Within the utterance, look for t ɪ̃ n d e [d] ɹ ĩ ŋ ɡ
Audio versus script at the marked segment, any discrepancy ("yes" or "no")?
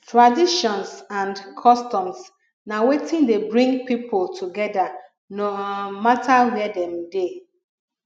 yes